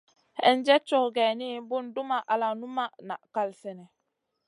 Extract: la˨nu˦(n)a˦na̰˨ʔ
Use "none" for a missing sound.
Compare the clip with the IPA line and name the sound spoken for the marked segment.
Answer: m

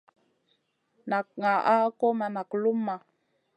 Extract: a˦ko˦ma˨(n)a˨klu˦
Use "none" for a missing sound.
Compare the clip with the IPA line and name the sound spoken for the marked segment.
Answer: n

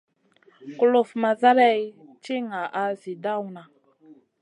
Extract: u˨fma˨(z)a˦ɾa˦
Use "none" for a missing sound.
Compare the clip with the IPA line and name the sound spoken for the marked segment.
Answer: z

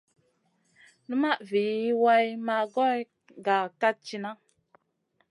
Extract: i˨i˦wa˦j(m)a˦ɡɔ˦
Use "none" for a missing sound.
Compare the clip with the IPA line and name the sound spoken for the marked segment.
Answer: m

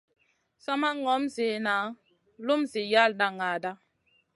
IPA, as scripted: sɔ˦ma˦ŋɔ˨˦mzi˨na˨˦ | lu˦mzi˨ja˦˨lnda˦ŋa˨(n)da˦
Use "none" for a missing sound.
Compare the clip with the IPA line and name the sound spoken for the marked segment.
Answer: none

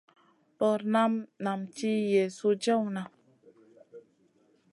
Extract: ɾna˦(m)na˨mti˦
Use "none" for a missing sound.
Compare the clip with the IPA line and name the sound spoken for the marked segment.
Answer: m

